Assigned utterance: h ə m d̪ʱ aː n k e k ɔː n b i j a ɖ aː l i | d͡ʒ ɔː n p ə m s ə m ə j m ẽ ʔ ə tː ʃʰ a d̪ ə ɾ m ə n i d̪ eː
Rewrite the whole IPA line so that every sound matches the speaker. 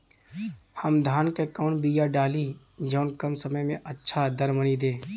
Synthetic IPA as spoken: h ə m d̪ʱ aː n k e k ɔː n b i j a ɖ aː l i | d͡ʒ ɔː n k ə m s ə m ə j m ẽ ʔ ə tː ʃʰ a d̪ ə ɾ m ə n i d̪ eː